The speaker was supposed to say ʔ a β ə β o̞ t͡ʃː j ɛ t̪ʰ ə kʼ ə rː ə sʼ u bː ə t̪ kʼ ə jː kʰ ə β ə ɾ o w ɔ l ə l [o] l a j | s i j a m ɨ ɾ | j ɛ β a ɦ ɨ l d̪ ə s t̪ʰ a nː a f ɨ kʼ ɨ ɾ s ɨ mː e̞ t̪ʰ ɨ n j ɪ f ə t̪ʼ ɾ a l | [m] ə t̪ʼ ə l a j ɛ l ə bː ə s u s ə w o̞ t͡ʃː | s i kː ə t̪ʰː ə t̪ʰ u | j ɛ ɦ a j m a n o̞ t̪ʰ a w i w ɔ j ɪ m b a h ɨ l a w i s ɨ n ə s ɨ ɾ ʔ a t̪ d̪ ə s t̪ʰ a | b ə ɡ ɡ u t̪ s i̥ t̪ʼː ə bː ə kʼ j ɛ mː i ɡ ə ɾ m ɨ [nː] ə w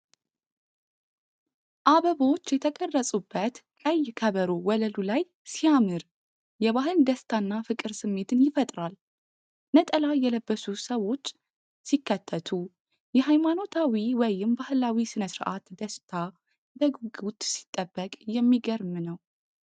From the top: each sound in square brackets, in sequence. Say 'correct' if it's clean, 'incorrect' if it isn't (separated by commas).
incorrect, incorrect, incorrect